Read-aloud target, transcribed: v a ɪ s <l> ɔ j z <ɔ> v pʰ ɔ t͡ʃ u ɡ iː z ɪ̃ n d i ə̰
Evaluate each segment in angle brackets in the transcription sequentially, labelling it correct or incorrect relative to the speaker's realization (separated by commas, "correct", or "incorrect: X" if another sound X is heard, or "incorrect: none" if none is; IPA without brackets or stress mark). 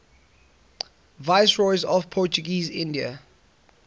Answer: incorrect: ɹ, correct